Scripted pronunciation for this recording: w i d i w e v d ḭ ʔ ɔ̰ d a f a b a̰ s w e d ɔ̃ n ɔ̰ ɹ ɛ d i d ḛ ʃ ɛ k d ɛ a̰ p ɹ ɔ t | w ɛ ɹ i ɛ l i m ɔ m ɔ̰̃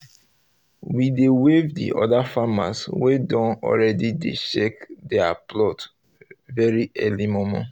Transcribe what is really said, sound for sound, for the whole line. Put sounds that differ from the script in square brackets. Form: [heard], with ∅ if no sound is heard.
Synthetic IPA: w i d [e] w e v d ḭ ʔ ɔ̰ d a f a [m] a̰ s w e d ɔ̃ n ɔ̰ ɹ ɛ d i d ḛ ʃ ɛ k d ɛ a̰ p [l] ɔ t | [v] ɛ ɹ i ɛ l i m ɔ m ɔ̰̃